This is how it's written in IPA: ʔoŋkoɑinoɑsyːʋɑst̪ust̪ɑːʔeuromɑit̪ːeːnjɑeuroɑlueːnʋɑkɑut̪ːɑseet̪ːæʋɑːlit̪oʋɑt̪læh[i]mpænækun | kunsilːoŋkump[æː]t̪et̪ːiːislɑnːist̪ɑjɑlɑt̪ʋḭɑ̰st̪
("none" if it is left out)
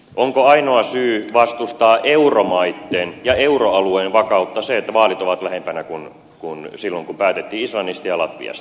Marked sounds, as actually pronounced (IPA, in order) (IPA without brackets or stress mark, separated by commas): e, æː